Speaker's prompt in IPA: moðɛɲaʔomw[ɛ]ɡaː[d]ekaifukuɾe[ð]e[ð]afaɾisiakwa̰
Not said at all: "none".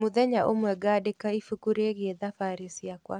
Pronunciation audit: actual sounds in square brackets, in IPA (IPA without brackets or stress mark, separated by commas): ɛ, d, ɣ, ð